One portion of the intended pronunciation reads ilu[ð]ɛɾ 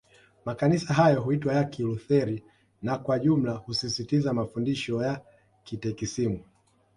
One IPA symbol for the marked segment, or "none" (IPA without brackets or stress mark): θ